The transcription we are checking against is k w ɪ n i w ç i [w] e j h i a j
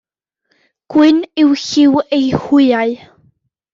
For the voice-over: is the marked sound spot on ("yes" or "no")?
yes